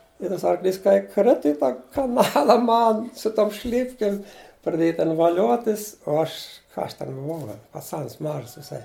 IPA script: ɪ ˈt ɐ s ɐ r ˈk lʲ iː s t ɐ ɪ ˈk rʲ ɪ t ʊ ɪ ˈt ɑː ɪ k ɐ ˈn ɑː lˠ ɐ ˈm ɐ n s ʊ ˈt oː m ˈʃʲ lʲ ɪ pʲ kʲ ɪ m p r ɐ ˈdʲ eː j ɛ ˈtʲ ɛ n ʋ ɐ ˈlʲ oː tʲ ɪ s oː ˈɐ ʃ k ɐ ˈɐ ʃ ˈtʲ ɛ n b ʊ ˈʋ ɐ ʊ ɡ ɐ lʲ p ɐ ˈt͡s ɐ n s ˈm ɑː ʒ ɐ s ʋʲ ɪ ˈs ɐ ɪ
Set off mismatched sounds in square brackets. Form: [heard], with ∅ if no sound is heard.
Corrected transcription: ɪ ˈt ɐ s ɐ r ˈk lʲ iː s [k] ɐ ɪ ˈk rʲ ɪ t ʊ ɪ ˈt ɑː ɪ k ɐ ˈn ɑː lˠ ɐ ˈm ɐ n s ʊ ˈt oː m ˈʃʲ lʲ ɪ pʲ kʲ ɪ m p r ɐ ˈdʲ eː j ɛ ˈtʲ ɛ n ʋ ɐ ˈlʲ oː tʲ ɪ s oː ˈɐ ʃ k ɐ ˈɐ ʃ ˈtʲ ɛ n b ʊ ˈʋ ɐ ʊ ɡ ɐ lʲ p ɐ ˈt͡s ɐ n s ˈm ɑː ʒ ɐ s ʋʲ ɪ ˈs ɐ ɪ